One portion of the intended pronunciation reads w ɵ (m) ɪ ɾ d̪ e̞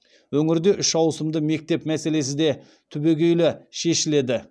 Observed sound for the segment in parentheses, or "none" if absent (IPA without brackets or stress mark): ŋ